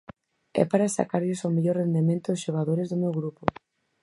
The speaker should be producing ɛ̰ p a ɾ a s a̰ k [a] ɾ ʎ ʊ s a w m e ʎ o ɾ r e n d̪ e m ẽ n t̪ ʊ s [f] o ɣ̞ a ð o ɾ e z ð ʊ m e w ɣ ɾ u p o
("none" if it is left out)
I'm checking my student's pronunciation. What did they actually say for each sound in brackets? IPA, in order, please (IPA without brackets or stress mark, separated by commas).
a, ʃ